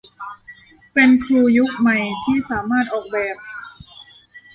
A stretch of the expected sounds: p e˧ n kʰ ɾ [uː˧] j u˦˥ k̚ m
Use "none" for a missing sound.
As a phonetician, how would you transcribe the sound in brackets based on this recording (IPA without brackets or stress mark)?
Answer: uː˧